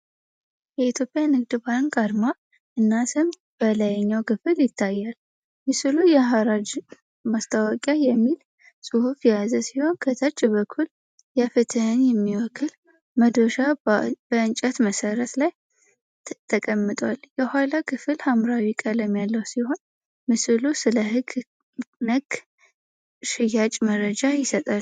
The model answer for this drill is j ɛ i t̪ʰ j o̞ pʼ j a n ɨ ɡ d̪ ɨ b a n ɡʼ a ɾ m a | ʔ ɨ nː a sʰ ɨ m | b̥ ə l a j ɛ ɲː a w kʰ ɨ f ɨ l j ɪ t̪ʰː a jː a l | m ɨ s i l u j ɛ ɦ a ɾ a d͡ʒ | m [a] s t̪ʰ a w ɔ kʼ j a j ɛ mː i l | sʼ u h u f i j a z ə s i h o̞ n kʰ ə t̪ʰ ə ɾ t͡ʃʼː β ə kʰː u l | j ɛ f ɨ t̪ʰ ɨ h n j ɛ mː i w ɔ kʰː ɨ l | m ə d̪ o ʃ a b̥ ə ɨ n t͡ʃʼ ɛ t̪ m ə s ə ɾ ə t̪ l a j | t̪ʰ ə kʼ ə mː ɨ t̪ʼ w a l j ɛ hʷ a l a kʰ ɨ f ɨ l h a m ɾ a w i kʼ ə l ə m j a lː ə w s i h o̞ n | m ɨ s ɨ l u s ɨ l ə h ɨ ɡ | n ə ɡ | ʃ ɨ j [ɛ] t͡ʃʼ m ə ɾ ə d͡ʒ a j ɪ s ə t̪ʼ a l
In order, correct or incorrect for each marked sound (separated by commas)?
correct, incorrect